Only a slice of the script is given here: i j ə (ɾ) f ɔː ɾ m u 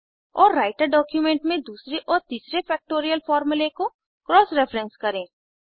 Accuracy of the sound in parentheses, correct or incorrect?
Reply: incorrect